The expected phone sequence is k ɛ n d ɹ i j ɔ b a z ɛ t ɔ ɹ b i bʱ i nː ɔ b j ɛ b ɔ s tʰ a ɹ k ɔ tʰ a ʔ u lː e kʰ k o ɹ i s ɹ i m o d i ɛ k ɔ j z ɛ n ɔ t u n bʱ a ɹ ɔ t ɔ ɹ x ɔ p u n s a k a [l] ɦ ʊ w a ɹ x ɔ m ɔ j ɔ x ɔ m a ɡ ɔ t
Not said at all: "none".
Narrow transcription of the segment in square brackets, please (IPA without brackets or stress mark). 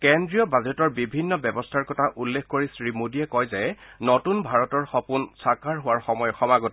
ɹ